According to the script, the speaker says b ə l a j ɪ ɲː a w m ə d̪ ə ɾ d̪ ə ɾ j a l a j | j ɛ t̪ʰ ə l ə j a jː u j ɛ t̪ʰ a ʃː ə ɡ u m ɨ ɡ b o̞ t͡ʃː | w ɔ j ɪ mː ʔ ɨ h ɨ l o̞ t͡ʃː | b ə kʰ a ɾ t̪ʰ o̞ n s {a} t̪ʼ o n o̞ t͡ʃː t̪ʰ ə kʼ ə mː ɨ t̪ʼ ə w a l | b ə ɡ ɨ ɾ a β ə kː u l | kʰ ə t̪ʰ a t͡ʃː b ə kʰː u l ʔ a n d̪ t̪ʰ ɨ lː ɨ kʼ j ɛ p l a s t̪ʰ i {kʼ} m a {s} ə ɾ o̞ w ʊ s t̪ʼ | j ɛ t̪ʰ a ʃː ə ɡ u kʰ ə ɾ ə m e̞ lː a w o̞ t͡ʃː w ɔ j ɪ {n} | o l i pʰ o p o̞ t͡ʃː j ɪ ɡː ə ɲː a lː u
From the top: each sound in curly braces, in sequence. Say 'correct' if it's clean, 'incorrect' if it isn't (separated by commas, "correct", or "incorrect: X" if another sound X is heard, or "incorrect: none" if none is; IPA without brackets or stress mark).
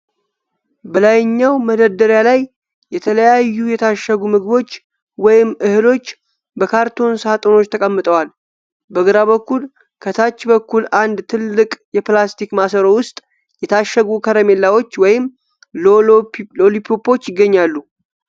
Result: correct, incorrect: k, correct, incorrect: m